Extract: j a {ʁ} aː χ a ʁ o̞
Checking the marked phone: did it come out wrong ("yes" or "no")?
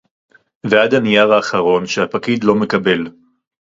no